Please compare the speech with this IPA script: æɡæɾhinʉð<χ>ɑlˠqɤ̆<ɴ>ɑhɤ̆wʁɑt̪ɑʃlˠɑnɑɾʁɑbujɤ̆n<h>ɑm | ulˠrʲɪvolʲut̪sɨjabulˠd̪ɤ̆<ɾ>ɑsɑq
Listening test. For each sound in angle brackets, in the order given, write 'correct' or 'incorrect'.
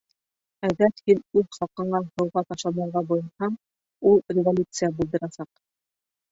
correct, correct, correct, correct

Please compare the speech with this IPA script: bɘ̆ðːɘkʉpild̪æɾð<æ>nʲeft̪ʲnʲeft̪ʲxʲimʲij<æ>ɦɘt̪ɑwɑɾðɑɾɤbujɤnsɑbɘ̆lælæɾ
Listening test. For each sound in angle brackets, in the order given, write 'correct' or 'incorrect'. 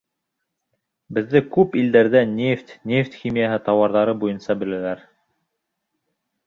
correct, incorrect: a

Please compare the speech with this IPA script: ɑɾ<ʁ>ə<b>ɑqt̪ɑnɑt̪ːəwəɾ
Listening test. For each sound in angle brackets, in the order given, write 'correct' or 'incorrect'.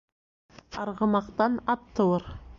correct, incorrect: m

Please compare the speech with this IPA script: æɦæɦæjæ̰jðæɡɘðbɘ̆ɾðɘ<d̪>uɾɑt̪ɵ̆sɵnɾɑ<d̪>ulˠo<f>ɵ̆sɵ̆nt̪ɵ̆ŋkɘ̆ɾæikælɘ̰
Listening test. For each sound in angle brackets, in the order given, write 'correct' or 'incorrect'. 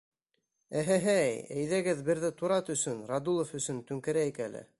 incorrect: t̪, correct, correct

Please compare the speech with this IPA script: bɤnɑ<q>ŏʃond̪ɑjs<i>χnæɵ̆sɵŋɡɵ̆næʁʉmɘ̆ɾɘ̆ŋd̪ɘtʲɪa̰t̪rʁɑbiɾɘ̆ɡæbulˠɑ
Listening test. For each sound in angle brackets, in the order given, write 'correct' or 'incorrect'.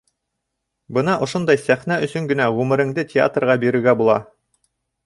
incorrect: ʔ, incorrect: æ

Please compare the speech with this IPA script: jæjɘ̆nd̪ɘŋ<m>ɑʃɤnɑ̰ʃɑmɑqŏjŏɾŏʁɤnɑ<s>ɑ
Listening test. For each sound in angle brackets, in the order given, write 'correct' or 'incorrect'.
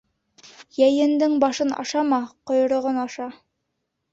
incorrect: b, incorrect: ʃ

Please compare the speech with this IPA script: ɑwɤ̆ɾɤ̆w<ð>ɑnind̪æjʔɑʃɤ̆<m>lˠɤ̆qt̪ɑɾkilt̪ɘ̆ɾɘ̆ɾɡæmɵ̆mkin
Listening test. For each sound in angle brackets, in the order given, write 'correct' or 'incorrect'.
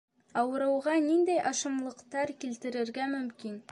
incorrect: ʁ, correct

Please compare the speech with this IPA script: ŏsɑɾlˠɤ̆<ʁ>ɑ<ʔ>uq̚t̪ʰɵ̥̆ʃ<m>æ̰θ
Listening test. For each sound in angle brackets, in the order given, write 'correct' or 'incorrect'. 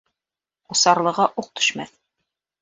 correct, correct, correct

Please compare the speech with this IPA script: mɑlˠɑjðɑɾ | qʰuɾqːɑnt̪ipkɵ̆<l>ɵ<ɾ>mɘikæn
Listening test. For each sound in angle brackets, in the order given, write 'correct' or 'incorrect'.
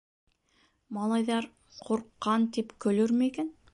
correct, correct

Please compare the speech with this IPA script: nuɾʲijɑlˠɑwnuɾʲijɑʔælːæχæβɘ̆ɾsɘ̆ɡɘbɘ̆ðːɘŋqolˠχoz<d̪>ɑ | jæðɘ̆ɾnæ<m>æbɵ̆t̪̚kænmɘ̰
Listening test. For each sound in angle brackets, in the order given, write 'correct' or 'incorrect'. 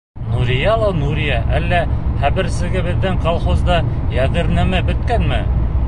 correct, correct

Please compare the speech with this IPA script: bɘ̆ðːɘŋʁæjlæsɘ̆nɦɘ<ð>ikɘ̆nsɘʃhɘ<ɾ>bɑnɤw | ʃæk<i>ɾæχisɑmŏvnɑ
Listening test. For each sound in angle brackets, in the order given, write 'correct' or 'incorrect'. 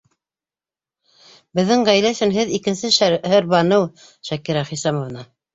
correct, correct, correct

